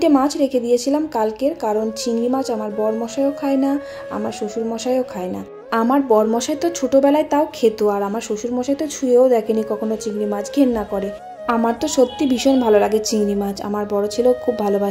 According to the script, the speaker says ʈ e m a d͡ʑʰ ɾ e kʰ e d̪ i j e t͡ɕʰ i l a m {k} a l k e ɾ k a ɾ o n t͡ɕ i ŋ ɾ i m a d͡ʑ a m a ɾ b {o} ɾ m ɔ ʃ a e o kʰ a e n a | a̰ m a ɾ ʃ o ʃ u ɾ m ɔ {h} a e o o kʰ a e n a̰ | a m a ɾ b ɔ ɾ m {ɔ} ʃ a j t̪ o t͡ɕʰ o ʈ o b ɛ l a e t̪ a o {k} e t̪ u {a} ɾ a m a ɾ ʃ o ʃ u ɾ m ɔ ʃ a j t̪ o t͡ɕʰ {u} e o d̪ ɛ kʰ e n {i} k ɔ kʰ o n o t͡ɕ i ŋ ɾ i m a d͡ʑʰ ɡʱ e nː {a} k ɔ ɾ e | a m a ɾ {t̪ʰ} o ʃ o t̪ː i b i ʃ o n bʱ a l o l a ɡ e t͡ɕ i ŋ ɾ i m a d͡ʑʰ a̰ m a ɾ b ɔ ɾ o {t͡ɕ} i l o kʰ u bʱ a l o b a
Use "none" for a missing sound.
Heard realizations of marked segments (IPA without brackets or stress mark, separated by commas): k, ɔ, ʃ, ɔ, kʰ, a, u, i, a, t̪, t͡ɕʰ